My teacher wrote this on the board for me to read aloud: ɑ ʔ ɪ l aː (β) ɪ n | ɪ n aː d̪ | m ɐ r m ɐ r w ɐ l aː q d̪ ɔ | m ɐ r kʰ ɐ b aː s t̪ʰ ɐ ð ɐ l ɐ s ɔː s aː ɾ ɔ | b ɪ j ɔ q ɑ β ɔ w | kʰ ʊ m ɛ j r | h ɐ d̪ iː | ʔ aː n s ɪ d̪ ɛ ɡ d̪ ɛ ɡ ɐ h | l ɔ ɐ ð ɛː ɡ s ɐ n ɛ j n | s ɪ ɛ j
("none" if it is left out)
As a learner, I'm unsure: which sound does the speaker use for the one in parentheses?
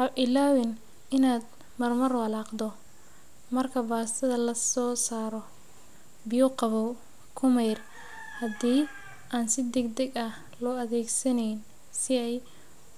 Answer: w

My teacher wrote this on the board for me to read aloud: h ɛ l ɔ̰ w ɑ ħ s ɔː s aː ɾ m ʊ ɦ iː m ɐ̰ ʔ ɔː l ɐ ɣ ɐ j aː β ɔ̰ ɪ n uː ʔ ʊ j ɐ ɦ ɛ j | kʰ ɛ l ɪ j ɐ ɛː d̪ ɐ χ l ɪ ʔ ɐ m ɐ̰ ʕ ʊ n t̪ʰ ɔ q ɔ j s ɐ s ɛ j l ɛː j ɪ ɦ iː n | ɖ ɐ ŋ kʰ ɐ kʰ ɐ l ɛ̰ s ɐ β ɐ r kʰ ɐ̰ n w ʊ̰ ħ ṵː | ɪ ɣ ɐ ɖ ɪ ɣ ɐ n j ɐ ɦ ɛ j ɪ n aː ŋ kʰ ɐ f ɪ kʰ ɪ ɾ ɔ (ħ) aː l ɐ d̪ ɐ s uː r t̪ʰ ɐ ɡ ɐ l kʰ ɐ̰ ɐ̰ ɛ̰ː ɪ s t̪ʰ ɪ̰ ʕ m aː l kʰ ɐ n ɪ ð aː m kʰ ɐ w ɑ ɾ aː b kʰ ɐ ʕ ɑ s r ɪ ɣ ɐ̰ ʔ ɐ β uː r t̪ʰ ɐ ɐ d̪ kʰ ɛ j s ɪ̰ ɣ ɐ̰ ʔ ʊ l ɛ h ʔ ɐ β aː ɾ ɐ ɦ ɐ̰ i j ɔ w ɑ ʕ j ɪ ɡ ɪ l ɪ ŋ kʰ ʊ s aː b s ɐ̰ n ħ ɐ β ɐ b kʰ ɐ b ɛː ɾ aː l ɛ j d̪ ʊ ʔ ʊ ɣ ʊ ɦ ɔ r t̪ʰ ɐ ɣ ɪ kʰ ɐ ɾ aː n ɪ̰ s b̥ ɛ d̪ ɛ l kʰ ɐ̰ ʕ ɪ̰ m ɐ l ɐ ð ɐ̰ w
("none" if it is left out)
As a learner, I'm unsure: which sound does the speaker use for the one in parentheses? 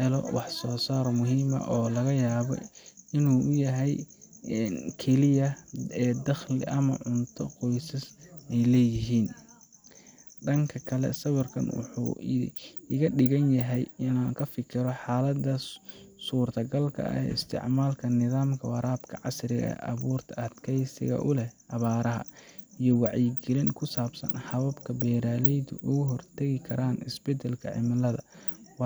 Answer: ħ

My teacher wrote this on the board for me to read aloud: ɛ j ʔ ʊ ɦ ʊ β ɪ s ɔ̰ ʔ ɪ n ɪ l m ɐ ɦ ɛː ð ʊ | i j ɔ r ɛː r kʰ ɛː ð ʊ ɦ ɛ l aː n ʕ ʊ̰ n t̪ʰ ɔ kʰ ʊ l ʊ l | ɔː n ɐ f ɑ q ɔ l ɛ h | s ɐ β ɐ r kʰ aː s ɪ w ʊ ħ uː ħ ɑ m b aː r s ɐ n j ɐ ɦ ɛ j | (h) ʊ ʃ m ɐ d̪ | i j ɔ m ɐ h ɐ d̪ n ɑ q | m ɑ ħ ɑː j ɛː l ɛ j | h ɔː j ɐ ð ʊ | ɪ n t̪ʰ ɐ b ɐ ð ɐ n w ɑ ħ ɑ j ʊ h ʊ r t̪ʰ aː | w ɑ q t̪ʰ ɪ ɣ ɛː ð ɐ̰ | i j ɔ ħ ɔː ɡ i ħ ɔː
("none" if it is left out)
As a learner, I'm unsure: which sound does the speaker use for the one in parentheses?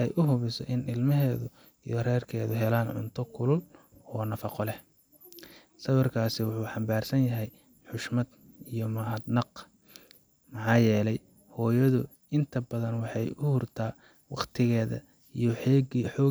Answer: ħ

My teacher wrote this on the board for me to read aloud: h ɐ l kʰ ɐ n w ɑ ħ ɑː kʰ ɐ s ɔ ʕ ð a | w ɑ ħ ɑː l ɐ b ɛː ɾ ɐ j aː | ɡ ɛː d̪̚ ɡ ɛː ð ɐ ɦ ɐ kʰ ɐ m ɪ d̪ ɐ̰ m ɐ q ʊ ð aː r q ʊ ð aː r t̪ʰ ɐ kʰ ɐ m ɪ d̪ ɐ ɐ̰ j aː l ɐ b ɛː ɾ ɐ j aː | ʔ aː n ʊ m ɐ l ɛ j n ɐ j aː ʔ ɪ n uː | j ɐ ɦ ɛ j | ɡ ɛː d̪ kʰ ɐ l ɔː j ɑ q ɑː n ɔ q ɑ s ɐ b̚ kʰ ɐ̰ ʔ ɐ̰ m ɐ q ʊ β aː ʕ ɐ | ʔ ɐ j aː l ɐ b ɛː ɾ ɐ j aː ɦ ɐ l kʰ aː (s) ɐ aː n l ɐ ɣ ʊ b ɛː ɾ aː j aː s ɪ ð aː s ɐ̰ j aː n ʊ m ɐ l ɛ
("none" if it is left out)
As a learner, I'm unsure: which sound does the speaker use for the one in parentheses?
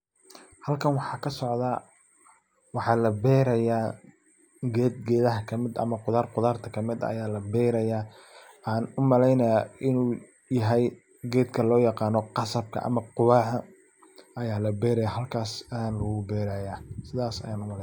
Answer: s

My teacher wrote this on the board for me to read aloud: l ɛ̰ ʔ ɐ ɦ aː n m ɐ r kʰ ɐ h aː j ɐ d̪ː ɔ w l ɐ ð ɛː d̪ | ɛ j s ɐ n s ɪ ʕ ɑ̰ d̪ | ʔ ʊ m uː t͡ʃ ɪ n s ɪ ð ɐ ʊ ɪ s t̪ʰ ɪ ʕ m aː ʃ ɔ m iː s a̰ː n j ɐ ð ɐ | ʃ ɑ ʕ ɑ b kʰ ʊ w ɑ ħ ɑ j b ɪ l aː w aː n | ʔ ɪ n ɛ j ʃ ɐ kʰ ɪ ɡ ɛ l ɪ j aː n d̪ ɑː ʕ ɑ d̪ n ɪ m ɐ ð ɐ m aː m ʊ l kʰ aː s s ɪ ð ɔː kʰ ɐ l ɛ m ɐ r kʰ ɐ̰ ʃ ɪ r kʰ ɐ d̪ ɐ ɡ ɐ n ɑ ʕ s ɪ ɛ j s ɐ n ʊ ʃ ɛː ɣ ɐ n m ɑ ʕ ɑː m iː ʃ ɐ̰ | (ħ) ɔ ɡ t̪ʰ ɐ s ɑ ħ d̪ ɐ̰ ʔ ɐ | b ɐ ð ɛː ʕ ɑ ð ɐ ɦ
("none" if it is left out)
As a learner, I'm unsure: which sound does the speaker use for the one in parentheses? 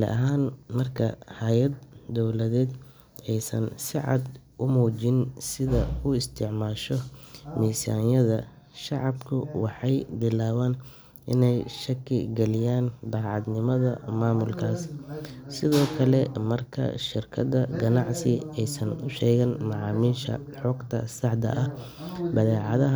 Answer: ħ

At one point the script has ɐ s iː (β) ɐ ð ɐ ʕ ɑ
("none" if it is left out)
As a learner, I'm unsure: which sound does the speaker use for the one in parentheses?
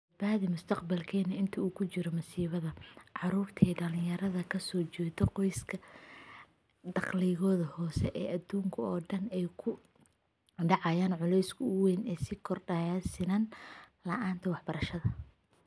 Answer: β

